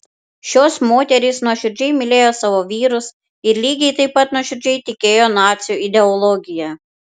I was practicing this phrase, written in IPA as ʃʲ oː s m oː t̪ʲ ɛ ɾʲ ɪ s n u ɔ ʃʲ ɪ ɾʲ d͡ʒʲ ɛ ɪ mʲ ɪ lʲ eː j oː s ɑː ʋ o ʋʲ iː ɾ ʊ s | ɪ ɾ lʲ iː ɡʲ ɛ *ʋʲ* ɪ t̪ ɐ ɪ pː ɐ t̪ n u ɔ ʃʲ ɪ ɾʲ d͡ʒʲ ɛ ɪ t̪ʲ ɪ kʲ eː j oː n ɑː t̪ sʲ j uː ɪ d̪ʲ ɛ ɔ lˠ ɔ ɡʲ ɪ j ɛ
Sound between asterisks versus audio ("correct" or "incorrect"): incorrect